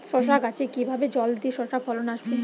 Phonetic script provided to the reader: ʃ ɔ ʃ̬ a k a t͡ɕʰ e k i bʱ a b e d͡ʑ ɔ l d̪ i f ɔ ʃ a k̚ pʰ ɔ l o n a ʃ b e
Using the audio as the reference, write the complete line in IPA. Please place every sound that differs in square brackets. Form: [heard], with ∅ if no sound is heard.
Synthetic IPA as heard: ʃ ɔ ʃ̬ a k a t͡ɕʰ e k i bʱ a b e d͡ʑ ɔ l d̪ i [ʃ] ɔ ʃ a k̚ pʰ ɔ l o n a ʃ b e